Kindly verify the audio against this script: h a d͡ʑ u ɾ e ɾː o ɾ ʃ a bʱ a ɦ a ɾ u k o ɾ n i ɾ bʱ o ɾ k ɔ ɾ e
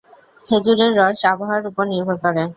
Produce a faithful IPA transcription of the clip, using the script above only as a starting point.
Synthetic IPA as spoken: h e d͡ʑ u ɾ e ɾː ɔ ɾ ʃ a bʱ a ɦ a ɾ u p o ɾ n i ɾ bʱ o ɾ k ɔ ɾ e